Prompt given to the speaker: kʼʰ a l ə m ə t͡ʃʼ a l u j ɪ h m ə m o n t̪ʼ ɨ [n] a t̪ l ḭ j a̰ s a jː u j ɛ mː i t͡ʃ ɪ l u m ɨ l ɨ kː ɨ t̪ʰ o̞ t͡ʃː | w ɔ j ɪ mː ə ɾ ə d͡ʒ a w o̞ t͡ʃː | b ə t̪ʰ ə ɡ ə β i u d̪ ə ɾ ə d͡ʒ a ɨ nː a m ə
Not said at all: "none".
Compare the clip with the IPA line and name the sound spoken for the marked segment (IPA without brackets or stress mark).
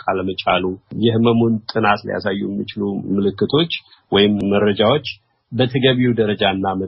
n